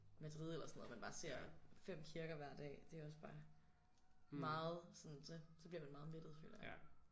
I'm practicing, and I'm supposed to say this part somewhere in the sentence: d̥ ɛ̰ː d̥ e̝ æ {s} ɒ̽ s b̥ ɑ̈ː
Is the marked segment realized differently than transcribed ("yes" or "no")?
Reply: yes